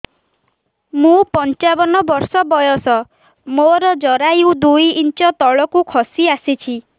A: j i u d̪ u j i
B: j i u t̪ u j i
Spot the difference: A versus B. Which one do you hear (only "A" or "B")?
A